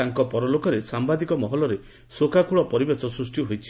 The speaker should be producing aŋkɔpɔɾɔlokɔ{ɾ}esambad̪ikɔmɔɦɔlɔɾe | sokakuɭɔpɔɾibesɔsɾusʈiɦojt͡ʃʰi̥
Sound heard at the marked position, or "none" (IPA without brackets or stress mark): ɾ